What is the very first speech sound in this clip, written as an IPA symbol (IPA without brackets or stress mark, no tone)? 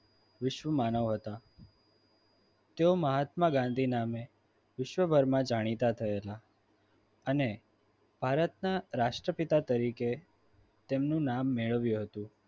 ʋ